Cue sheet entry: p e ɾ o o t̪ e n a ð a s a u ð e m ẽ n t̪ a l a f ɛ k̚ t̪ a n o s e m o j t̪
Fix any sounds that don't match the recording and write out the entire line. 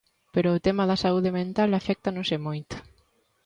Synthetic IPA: p e ɾ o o t̪ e m a ð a s a u ð e m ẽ n t̪ a l a f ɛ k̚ t̪ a n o s e m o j t̪